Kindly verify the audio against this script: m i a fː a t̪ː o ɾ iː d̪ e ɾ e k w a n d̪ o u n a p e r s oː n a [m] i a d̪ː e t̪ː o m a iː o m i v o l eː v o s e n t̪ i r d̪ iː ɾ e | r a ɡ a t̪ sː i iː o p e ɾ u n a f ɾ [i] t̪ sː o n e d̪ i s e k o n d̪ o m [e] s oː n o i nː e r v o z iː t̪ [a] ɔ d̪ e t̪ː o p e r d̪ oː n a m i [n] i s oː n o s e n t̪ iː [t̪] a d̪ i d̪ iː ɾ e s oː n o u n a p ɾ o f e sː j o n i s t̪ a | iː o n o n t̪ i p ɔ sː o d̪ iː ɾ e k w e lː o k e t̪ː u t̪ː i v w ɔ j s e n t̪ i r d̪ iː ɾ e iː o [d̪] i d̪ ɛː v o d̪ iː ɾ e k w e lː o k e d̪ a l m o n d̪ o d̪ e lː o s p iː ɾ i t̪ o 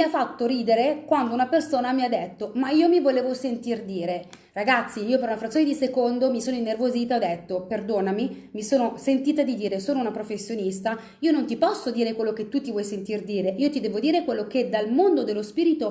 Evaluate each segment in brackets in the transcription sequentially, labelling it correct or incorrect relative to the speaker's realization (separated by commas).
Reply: correct, incorrect, incorrect, correct, incorrect, correct, incorrect